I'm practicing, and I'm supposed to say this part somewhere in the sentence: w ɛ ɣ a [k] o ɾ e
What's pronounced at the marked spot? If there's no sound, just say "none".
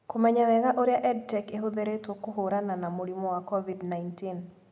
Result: ʔ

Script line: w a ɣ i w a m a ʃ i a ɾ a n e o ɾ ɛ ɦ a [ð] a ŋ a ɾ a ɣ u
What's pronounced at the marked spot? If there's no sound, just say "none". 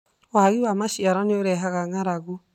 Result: ɣ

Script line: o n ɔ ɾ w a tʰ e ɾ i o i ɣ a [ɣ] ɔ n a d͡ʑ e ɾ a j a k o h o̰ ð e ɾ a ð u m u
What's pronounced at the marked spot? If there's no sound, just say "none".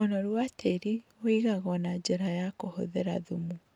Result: ɣ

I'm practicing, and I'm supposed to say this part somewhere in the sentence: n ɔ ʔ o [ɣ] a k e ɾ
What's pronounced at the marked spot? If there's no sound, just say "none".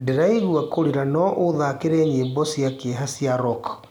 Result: ð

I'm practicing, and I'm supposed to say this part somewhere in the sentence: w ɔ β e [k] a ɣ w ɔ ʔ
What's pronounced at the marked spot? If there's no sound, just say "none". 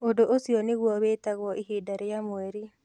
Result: t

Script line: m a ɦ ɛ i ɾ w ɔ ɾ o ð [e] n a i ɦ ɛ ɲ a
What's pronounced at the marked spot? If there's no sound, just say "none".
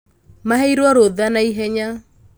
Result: a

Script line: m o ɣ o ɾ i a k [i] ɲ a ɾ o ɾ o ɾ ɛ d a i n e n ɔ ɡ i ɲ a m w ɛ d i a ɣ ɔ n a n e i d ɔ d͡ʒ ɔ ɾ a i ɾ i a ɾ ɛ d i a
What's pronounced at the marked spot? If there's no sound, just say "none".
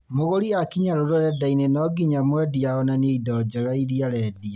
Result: i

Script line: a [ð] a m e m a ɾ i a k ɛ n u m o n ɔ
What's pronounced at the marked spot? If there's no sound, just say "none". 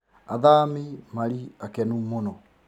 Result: ð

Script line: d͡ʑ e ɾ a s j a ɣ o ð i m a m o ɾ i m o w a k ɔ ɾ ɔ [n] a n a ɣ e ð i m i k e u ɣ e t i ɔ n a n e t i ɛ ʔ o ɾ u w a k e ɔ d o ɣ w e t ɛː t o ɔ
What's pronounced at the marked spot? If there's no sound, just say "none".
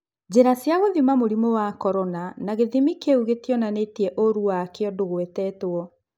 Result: n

